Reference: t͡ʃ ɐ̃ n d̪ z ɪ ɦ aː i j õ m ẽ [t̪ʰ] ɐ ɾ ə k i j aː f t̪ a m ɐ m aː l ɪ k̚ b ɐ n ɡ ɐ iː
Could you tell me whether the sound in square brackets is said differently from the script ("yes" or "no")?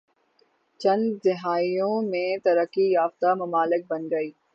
yes